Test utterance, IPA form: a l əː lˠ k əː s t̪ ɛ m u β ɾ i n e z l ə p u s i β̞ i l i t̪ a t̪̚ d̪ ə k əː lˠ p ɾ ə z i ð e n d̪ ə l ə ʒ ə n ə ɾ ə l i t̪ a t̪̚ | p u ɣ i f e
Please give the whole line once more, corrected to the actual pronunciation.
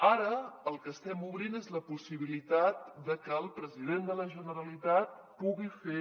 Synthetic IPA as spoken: a ɾ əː lˠ k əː s t̪ ɛ m u β ɾ i n e z l ə p u s i β̞ i l i t̪ a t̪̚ d̪ ə k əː lˠ p ɾ ə z i ð e n d̪ ə l ə ʒ ə n ə ɾ ə l i t̪ a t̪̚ | p u ɣ i f e